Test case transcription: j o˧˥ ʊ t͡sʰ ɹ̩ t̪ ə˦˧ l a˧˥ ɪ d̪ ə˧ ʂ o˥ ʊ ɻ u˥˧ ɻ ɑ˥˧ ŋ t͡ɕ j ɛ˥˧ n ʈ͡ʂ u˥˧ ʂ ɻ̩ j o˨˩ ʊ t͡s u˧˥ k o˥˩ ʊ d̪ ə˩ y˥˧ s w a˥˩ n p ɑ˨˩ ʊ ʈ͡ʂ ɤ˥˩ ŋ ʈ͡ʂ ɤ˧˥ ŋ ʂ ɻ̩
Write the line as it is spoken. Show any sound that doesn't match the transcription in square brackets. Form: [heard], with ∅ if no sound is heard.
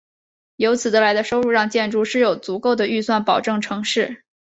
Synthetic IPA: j o˧˥ ʊ t͡sʰ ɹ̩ [d̪] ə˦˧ l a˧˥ ɪ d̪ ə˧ ʂ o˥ ʊ ɻ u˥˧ ɻ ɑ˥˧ ŋ t͡ɕ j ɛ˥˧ n ʈ͡ʂ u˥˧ ʂ ɻ̩ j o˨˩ ʊ t͡s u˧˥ k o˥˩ ʊ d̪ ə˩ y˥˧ s w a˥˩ n p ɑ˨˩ ʊ ʈ͡ʂ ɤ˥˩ ŋ [ʈ͡ʂʰ] ɤ˧˥ ŋ ʂ ɻ̩